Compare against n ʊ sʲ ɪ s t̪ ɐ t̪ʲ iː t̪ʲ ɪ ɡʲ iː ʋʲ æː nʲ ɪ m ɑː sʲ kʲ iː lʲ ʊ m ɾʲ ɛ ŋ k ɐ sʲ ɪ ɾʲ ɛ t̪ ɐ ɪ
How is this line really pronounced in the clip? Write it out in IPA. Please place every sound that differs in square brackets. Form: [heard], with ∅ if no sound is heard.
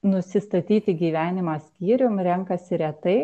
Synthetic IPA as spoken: n ʊ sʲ ɪ s t̪ ɐ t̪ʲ iː t̪ʲ ɪ ɡʲ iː ʋʲ æː nʲ ɪ m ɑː sʲ kʲ iː [ɾʲ] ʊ m ɾʲ ɛ ŋ k ɐ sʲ ɪ ɾʲ ɛ t̪ ɐ ɪ